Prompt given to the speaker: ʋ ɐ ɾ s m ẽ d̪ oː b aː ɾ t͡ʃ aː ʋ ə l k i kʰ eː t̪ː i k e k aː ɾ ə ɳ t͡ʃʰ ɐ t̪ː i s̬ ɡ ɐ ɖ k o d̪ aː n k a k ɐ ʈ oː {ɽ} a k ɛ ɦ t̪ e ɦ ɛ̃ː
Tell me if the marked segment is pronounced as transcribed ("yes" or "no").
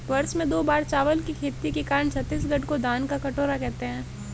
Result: no